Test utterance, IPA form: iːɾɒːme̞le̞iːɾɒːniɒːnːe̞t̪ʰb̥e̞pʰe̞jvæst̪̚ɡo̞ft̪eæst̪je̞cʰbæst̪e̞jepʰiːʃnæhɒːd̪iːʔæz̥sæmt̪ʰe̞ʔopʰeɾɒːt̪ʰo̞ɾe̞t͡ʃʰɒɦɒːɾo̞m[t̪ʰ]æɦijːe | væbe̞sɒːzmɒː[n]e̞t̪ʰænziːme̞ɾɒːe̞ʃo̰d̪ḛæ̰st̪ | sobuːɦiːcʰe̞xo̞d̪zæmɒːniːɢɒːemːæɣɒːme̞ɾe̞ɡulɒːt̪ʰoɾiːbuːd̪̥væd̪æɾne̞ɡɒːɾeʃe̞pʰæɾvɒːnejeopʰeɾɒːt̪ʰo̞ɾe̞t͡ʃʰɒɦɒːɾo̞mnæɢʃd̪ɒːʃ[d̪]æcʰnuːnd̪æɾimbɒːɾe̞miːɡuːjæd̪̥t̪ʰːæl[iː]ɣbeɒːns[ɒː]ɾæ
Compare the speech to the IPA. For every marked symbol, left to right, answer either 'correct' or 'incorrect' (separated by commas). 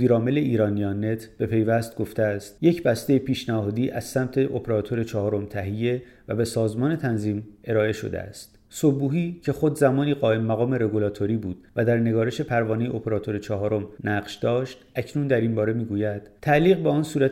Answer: correct, correct, incorrect, correct, incorrect